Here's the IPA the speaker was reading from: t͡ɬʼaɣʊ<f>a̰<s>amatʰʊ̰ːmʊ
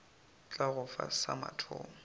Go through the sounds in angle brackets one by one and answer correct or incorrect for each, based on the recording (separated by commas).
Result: correct, correct